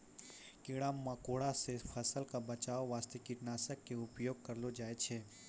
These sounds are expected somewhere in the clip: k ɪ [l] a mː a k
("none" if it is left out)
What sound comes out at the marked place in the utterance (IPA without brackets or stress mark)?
ɽ